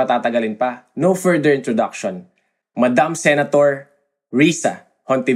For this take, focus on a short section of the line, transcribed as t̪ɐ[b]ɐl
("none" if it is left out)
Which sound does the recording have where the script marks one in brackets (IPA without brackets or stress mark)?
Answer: ɡ